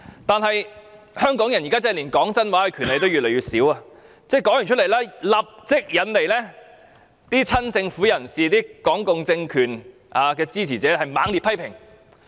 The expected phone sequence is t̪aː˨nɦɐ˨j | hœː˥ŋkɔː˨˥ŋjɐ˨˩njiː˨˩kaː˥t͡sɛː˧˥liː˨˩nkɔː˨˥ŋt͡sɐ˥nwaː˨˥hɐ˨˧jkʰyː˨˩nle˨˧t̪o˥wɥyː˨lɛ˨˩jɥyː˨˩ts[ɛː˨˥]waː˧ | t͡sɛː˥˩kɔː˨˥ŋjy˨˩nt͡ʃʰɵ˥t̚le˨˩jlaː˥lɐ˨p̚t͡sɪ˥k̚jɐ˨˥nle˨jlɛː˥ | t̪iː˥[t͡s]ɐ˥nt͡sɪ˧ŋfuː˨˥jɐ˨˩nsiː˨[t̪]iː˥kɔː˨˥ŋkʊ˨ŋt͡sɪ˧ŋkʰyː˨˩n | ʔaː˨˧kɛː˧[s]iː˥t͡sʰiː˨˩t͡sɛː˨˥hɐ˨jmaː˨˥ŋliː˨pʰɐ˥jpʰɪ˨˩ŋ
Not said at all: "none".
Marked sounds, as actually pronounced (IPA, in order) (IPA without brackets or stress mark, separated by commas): iː˨˥, t͡sʰ, t̪, t͡s